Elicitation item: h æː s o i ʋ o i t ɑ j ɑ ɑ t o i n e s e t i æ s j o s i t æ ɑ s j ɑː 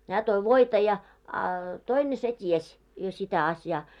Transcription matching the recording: h æː t o i ʋ o i t ɑ j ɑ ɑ t o i n e s e t i e s j o s i t æ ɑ s j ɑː

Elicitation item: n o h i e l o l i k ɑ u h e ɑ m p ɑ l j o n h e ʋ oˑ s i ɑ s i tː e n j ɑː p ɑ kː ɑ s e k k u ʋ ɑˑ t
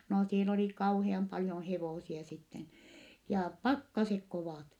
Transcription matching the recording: n o s i e l o l i k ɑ u h e ɑ m p ɑ l j o n h e ʋ oˑ s i ɑ s i tː e n j ɑː p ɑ kː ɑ s e k k o ʋ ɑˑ t

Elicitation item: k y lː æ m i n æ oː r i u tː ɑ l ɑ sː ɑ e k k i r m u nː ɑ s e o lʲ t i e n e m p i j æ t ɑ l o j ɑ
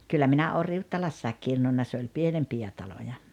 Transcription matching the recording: k y lː æ m i n æ oː r i u tː ɑ l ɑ sː ɑ e k k i r n u nː ɑ s e o lʲ p i e n e m p i j æ t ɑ l o j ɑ

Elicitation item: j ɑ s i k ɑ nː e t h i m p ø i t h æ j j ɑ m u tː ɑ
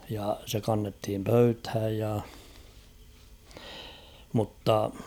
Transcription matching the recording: j ɑ s e k ɑ nː e t h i m p ø y t h æ j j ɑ m u tː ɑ

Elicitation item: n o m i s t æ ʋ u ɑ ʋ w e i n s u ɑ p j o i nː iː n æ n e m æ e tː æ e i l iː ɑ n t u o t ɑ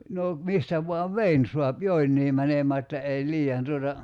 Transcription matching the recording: n o m i s t æ ʋ u ɑ ʋ ʋ e i n s u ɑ p j o i nː iː m æ n e m æː e tː æ e i l iː ɑ n t u o t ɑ

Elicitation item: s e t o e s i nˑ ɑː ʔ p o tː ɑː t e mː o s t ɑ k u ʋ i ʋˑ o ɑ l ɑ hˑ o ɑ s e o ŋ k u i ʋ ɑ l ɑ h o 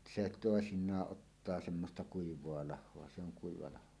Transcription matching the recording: s e t o e s i nˑ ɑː ʔ ʔ o tː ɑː s e mː o s t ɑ k u i ʋˑ o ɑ l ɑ hˑ o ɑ s e o ŋ k u i ʋ ɑ l ɑ h o

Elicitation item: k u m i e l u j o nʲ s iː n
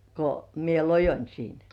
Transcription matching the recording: k o m i e l o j o nʲ s iː n

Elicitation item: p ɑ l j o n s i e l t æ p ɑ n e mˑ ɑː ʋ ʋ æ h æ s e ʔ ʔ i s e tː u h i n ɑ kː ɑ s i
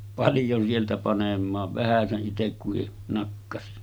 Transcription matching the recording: p ɑ l j o n s i e l t æ p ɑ n e mˑ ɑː ʋ ʋ æ h æ s e ʔ ʔ i t e kː u h i n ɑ kː ɑ s i

